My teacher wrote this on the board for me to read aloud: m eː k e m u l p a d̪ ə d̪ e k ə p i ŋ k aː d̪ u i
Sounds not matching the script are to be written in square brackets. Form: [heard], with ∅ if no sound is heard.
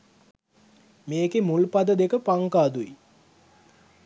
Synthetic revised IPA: m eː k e m u l p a d̪ ə d̪ e k ə p [a] ŋ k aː d̪ u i